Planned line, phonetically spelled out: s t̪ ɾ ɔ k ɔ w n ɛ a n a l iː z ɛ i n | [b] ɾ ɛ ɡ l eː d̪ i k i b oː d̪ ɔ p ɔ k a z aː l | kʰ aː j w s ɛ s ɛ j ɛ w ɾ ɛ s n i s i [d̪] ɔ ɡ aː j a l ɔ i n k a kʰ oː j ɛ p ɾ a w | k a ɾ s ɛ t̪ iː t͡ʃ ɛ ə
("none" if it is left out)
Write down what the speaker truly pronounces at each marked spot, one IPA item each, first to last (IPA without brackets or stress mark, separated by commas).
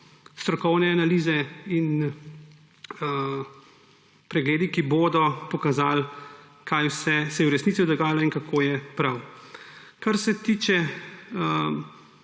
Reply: p, d̪